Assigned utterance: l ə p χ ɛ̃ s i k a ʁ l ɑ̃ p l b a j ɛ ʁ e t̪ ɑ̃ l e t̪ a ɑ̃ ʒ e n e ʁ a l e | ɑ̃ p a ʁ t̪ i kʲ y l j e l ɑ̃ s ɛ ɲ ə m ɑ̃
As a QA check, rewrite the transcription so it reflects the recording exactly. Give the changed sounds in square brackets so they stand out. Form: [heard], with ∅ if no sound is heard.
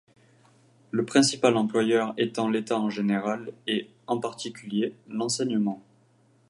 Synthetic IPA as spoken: l ə p χ ɛ̃ s i [p] a [∅] l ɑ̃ p l [w] a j [œ] ʁ e t̪ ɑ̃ l e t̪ a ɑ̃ ʒ e n e ʁ a l e | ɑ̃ p a ʁ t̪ i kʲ y l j e l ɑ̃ s ɛ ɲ ə m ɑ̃